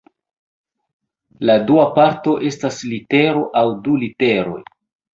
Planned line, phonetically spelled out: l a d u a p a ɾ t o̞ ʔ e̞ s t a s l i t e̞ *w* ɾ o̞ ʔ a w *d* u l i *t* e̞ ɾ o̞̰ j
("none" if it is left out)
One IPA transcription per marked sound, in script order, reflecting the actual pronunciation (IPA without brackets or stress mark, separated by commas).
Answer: none, d, t